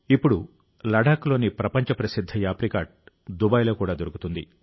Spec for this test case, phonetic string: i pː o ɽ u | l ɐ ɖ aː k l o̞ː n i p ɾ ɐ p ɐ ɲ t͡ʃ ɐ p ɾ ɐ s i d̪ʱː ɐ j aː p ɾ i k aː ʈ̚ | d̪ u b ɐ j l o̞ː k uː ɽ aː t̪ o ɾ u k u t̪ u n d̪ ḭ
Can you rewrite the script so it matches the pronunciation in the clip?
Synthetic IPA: i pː u ɽ u | l ɐ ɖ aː k l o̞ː n i p ɾ ɐ p ɐ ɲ t͡ʃ ɐ p ɾ ɐ s i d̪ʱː ɐ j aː p ɾ i k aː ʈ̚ | d̪ u b ɐ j l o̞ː k uː ɽ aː d̪ o ɾ u k u t̪ u n d̪ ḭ